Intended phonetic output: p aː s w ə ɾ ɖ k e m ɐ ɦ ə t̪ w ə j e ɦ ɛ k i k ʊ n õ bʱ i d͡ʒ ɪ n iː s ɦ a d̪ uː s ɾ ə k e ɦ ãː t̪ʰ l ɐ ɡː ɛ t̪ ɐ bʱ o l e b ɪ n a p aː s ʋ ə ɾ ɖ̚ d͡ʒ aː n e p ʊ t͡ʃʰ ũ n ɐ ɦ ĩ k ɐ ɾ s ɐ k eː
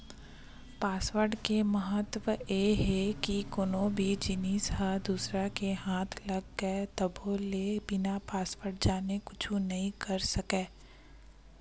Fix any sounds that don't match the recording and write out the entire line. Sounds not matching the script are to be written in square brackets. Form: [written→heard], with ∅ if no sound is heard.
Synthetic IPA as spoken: p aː s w ə ɾ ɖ k e m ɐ ɦ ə t̪ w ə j e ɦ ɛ k i k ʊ n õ bʱ i d͡ʒ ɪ n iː s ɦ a d̪ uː s ɾ [ə→a] k e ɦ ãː t̪ʰ l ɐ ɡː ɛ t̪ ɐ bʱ o l e b ɪ n a p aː s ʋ ə ɾ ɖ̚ d͡ʒ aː n e [p→k] ʊ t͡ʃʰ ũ n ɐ ɦ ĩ k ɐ ɾ s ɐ k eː